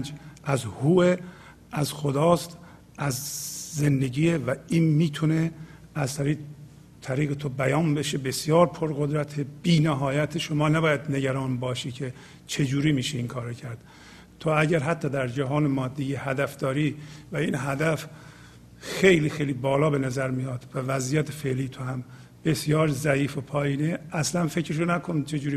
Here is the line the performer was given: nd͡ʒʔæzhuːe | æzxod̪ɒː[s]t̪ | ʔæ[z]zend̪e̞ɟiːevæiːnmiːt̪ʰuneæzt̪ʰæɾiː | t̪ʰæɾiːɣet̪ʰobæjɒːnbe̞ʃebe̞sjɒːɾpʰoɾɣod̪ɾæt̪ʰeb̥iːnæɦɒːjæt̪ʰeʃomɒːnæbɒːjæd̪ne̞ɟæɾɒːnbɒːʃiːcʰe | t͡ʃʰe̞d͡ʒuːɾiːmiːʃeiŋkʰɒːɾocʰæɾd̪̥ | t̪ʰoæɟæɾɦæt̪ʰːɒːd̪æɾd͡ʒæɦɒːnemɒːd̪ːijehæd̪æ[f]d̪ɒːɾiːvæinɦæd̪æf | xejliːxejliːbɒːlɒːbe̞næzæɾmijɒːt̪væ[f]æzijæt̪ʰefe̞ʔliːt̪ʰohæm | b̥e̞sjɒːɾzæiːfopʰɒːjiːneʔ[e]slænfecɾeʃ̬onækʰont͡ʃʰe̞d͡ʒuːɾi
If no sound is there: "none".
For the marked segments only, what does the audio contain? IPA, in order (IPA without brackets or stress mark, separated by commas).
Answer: s, z, f, v, æ